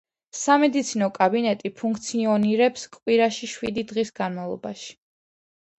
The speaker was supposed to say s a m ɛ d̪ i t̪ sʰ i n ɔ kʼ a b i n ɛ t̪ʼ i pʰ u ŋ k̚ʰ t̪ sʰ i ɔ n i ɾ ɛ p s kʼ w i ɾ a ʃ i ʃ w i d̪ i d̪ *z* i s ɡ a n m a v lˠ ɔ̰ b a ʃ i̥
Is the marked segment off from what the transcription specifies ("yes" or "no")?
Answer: yes